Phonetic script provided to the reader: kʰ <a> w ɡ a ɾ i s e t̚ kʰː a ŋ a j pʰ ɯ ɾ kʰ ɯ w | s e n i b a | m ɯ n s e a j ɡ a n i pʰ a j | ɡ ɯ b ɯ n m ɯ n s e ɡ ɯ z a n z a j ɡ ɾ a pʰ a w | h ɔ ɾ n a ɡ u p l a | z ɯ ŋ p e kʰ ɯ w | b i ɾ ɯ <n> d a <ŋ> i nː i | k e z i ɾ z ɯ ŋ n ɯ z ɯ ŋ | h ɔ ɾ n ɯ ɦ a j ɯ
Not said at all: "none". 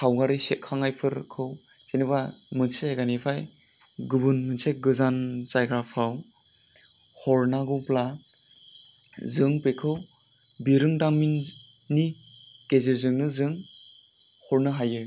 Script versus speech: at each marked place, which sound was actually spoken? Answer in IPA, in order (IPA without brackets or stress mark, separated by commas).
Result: a, ŋ, m